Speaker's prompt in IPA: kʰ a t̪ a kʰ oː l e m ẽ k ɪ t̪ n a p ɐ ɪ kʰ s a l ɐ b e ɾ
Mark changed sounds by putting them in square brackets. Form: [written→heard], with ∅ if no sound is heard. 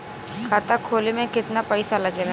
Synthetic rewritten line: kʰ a t̪ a kʰ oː l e m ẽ k ɪ t̪ n a p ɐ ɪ [kʰ→∅] s a l ɐ [b→ɡ] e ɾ